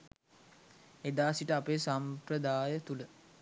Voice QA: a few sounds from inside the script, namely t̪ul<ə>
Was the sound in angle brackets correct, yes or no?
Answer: yes